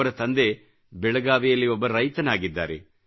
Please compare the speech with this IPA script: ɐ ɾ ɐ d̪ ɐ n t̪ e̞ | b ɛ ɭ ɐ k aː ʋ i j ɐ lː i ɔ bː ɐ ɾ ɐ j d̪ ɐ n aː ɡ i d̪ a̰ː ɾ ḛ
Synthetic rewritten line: ɐ ɾ ɐ t̪ ɐ n d̪ e̞ | b ɛ ɭ ɐ ɡ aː ʋ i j ɐ lː i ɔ bː ɐ ɾ ɐ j t̪ ɐ n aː ɡ i d̪ː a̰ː ɾ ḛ